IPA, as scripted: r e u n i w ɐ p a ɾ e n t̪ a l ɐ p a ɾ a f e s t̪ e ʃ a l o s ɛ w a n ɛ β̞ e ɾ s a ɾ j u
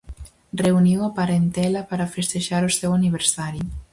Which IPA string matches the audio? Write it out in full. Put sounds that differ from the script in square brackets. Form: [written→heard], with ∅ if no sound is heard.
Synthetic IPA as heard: r e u n i w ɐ p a ɾ e n t̪ [a→ɛ] l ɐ p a ɾ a f e s t̪ e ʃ a [l→ɾ] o s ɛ w a n [ɛ→i] β̞ e ɾ s a ɾ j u